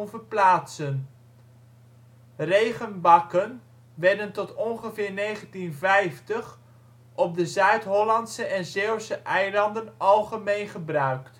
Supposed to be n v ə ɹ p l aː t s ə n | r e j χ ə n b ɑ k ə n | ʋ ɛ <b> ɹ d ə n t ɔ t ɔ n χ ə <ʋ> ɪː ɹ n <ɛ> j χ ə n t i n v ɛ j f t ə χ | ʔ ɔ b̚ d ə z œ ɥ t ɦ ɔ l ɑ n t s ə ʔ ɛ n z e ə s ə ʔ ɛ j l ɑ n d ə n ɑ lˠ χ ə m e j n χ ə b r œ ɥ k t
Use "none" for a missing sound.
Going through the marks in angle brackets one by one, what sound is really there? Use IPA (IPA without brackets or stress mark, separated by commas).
none, v, e